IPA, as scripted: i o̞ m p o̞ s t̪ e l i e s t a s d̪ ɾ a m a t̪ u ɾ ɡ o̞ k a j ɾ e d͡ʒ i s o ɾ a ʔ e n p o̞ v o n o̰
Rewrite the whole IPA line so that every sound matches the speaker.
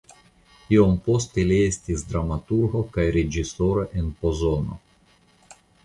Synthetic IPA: i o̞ m p o̞ s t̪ e l i e s t i s d̪ ɾ a m a t̪ u ɾ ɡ o̞ k a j ɾ e d͡ʒ i s o ɾ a ʔ e n p o̞ z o n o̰